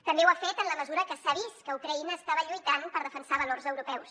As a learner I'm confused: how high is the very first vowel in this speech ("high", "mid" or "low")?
mid